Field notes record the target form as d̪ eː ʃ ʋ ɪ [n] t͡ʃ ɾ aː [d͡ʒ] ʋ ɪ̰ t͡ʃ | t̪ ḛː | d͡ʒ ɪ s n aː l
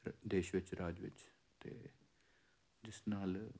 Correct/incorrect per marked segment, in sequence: incorrect: none, correct

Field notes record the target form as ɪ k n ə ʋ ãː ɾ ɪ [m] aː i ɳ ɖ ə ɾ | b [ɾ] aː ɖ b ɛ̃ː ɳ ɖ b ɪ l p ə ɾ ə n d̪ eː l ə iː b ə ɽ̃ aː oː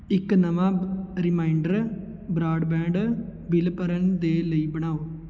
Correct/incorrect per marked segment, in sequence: correct, correct

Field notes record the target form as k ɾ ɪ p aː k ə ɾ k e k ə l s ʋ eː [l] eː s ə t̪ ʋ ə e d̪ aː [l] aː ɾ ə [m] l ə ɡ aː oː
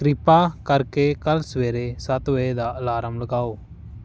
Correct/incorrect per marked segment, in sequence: incorrect: ɾ, correct, correct

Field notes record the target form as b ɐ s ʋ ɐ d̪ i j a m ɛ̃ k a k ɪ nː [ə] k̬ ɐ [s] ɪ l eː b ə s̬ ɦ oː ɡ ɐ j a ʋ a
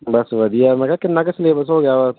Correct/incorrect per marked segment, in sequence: incorrect: a, correct

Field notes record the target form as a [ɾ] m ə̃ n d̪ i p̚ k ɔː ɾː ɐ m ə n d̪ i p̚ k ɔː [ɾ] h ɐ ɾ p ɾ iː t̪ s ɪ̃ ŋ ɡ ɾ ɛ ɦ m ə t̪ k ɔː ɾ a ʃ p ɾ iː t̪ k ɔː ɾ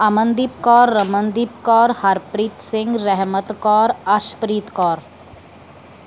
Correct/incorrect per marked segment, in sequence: incorrect: none, correct

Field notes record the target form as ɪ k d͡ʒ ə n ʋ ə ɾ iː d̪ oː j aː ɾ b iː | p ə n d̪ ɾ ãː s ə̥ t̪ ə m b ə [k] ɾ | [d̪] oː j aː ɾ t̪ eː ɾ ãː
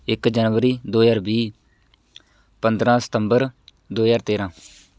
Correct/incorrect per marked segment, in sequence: incorrect: none, correct

